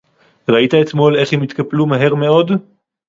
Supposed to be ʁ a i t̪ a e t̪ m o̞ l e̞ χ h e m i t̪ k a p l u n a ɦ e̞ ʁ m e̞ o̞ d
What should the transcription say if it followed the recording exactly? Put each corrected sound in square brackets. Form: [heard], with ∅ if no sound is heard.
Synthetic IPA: ʁ a i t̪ a e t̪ m o̞ l e̞ χ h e m i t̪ k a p l u [m] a ɦ e̞ ʁ m e̞ o̞ d